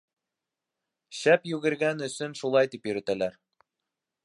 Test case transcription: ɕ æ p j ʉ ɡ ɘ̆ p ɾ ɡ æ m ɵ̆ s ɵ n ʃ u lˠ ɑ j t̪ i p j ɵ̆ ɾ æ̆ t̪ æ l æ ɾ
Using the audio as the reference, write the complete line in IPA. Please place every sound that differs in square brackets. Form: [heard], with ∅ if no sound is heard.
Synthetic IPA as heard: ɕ æ p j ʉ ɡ ɘ̆ [∅] ɾ ɡ æ [n] ɵ̆ s ɵ n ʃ u lˠ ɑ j t̪ i p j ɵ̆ ɾ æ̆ t̪ æ l æ ɾ